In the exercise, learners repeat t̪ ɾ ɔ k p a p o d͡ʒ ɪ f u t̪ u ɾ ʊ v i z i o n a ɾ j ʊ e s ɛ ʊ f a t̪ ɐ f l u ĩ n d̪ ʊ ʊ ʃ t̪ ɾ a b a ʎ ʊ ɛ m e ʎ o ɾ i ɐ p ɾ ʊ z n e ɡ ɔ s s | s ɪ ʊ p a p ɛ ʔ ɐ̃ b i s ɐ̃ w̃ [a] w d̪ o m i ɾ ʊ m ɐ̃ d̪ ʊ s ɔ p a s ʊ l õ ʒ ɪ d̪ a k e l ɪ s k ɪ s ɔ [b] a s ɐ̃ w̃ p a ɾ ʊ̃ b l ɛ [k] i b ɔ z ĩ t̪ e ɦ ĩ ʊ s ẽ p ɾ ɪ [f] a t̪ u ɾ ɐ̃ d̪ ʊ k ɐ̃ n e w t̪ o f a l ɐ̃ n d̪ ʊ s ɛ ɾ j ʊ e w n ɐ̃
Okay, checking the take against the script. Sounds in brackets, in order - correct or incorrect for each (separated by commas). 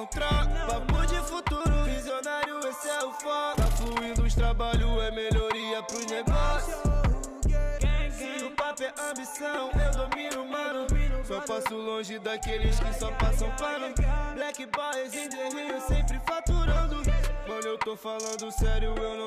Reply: incorrect, incorrect, correct, correct